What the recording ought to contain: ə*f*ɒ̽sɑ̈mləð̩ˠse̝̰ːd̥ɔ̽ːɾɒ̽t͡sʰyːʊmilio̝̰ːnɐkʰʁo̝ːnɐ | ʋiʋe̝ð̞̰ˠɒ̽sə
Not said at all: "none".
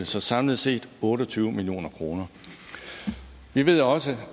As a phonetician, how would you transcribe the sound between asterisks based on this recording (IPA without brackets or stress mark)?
s